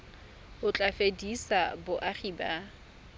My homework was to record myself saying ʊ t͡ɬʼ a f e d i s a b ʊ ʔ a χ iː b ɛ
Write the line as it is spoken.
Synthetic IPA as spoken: ʊ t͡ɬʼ a f e d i s a b ʊ ʔ a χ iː b a